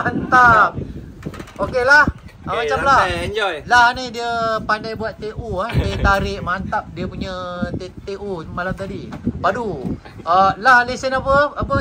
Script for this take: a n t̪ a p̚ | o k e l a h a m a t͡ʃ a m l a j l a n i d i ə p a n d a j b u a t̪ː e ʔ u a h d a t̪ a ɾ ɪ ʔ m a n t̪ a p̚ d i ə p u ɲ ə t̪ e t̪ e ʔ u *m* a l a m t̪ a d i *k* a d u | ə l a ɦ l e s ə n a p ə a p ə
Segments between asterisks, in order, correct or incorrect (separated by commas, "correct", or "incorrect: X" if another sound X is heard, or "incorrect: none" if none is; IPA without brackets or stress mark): correct, incorrect: p